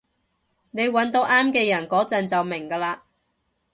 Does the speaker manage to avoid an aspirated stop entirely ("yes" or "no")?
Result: yes